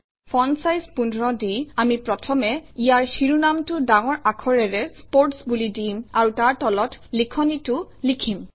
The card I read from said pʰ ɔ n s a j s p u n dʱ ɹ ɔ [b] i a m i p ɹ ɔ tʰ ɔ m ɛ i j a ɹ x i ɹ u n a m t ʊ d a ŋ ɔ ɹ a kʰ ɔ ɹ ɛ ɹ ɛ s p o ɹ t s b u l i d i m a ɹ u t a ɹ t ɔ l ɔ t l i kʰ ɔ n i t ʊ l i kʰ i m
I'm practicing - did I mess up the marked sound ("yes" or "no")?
yes